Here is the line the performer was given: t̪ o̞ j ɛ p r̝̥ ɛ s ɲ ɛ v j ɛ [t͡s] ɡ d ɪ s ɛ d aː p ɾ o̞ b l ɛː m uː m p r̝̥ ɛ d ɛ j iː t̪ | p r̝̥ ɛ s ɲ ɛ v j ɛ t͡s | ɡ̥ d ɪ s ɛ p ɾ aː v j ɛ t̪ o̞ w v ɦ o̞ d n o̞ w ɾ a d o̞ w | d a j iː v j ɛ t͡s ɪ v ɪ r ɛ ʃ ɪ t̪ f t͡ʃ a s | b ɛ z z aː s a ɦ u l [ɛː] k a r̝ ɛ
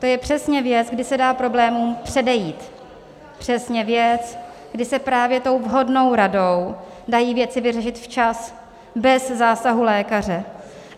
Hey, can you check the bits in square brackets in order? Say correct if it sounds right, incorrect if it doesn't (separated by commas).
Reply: correct, correct